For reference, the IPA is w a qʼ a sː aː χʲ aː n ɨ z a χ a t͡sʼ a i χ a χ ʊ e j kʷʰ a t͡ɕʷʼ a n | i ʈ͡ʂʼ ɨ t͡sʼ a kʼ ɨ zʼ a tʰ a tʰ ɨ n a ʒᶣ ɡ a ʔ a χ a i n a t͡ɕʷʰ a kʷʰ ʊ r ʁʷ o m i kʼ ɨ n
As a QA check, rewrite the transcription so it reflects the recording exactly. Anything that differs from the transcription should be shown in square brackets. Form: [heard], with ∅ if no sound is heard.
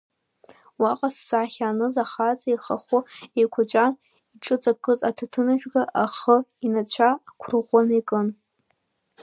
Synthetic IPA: w a qʼ a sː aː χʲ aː n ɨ z a χ a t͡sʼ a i χ a χ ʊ e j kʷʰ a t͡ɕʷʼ a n | i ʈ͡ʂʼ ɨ t͡sʼ a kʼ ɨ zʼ a tʰ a tʰ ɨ n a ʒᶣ ɡ a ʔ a χ [ə] i n a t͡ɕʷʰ a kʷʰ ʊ r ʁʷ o [n] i kʼ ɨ n